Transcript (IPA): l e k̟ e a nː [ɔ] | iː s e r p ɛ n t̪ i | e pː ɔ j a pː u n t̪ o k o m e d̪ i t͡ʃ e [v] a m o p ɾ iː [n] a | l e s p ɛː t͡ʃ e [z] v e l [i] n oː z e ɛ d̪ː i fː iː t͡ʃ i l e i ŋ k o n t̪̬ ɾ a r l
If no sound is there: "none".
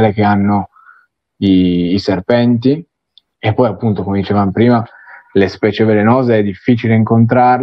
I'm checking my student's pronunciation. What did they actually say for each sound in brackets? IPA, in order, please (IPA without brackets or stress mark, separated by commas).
o, v, m, none, e